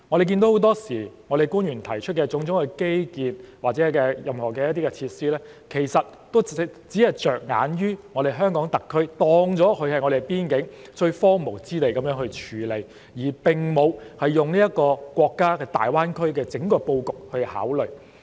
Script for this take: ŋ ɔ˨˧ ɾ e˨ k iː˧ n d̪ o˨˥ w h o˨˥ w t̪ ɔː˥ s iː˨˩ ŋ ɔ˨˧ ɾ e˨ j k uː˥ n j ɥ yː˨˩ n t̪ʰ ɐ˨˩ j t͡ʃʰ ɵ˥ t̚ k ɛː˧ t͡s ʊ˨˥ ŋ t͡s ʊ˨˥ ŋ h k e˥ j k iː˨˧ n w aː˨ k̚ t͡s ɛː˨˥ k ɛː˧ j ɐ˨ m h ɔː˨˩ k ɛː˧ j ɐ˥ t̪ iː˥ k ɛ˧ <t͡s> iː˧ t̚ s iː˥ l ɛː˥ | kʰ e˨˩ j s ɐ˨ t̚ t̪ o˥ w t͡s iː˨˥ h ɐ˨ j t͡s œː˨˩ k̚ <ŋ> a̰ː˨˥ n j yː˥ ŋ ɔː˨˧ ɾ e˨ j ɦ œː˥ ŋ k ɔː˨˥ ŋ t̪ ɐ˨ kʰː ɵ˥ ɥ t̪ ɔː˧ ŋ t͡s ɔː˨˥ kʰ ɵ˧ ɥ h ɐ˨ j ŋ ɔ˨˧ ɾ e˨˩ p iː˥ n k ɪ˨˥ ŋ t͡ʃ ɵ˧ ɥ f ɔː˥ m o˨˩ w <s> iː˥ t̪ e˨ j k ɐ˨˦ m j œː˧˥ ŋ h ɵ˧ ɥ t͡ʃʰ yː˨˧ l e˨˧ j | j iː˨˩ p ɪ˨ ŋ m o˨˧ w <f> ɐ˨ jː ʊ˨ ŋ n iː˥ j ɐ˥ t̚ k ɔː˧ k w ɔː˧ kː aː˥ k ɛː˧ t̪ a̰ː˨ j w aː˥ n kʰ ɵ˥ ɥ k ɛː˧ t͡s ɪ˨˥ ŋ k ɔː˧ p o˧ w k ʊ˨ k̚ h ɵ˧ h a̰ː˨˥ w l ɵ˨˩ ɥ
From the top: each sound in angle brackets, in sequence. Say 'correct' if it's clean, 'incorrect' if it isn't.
incorrect: t͡sʰ, correct, incorrect: t͡s, incorrect: h

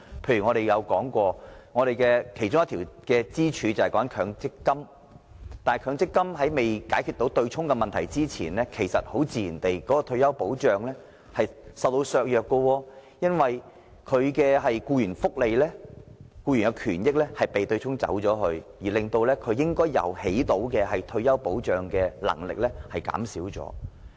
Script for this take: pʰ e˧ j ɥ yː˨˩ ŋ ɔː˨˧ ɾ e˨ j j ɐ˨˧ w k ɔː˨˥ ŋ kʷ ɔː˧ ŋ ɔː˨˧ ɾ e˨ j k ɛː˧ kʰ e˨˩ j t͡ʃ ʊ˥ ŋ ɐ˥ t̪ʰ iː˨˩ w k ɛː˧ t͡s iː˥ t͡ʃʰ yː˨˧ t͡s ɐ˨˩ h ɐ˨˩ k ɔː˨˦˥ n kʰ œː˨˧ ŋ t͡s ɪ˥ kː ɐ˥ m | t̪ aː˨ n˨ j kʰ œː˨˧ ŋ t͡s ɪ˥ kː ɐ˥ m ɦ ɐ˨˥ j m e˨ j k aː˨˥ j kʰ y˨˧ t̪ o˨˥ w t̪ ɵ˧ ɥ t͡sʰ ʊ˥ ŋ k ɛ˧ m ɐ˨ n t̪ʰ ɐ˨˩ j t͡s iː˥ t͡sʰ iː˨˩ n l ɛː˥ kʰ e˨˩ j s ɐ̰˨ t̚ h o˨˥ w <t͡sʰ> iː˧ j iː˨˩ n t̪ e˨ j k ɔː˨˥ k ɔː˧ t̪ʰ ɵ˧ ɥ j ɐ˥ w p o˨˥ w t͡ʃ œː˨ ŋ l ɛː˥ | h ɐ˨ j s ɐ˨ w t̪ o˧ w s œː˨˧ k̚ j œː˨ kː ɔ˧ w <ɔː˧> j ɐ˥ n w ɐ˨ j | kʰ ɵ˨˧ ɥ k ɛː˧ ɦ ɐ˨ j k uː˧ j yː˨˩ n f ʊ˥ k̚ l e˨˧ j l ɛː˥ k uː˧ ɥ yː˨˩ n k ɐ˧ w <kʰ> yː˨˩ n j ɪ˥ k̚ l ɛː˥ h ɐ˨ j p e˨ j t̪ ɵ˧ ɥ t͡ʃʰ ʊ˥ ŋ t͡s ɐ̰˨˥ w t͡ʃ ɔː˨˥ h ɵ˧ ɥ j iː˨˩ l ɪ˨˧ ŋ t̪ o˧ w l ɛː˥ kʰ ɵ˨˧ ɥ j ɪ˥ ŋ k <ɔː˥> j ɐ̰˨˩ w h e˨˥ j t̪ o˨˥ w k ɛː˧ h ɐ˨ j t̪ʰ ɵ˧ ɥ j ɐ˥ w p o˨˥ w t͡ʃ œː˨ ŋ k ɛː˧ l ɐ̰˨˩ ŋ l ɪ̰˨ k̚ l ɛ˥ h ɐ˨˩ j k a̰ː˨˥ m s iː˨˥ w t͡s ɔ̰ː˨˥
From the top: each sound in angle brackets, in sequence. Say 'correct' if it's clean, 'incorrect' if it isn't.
incorrect: t͡s, correct, correct, correct

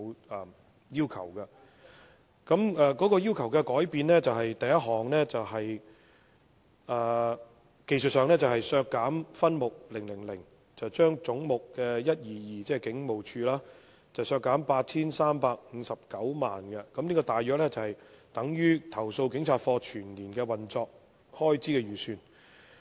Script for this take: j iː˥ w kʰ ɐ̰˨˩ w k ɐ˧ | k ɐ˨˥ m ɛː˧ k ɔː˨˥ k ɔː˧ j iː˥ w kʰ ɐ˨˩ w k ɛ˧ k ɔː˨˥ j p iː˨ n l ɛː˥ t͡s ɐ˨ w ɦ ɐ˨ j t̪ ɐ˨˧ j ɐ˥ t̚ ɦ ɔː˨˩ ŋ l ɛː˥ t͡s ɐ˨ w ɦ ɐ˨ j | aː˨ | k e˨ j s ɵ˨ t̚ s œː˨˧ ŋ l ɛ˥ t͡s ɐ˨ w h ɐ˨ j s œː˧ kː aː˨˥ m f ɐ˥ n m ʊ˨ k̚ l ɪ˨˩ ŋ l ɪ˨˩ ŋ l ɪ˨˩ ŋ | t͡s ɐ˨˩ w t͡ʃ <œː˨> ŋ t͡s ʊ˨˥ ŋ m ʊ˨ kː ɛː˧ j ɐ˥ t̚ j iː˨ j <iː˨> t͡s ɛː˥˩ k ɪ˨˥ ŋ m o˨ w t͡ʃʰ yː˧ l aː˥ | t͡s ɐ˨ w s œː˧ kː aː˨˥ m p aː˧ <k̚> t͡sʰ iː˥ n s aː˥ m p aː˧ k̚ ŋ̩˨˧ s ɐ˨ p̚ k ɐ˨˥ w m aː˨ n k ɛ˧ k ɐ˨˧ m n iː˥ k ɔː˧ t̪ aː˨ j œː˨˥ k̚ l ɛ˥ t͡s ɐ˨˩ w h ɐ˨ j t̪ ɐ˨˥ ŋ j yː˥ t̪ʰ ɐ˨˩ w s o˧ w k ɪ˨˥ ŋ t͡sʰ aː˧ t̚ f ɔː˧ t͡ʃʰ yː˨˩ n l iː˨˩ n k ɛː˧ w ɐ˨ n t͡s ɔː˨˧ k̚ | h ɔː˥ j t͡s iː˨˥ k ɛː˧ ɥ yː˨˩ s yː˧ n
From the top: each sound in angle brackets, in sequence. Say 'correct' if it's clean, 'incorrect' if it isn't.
incorrect: œː˥, correct, incorrect: t̚

